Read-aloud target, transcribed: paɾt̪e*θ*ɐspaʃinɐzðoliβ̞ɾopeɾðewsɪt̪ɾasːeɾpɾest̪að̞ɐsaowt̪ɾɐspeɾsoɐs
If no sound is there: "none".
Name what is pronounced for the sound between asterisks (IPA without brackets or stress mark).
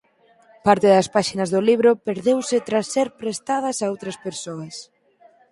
ð